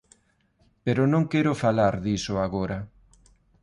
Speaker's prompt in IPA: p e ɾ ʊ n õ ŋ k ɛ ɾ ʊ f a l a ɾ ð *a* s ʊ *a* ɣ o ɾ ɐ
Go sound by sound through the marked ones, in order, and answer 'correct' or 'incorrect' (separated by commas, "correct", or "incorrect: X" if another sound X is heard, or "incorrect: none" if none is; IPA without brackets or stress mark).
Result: incorrect: i, correct